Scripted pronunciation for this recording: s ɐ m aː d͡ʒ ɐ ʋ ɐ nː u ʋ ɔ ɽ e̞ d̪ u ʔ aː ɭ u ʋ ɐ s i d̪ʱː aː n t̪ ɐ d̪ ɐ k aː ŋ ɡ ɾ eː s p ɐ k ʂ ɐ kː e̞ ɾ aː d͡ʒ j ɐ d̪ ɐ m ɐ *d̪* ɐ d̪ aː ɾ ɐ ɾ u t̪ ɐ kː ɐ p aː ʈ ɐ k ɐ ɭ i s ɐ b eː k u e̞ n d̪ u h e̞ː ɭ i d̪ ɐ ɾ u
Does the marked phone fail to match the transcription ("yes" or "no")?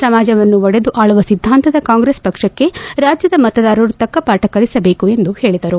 yes